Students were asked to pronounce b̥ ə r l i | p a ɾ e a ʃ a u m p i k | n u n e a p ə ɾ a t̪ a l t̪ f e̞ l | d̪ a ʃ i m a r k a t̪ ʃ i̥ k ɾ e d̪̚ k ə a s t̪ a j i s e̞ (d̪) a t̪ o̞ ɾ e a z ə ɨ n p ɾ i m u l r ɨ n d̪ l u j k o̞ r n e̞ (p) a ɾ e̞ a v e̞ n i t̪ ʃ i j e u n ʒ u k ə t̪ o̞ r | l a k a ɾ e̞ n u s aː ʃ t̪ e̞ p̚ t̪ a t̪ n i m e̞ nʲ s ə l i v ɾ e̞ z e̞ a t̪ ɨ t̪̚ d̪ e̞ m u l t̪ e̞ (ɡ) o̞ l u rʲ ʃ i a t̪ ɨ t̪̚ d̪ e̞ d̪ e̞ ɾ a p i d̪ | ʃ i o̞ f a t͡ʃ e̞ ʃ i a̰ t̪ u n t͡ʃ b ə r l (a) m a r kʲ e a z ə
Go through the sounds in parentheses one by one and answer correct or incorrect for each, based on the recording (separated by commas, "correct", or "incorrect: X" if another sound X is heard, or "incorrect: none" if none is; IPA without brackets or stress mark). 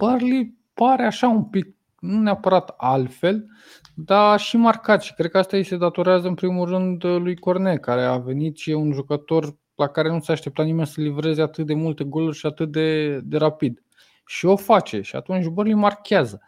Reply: correct, incorrect: k, correct, incorrect: i